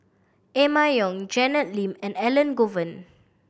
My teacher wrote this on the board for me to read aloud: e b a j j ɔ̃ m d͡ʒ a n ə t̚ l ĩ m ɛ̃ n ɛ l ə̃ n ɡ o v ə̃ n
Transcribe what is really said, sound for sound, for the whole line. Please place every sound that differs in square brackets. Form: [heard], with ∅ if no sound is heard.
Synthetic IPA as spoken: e [m] a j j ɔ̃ [ŋ] d͡ʒ [ɛ] n ə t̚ l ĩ m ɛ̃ n ɛ l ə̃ n ɡ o v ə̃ n